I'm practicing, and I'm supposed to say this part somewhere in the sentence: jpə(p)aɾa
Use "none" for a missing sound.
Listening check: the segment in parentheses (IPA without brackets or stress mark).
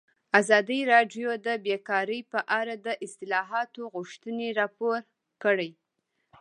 ʔ